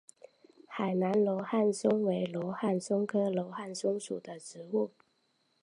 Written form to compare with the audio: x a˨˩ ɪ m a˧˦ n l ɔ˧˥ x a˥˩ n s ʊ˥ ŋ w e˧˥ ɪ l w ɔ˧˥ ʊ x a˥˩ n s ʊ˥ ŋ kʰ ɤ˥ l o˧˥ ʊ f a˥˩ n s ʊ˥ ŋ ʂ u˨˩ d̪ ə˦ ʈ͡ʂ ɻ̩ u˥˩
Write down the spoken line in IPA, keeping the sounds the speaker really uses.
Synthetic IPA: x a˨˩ ɪ n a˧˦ n l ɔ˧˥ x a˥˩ n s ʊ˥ ŋ w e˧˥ ɪ l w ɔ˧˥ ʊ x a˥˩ n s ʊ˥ ŋ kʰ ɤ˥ l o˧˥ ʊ x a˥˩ n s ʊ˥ ŋ ʂ u˨˩ d̪ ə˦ ʈ͡ʂ ɻ̩ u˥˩